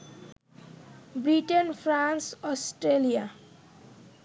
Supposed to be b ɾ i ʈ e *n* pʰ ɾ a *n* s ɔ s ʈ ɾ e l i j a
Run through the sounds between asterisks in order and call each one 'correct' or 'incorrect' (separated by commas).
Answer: correct, correct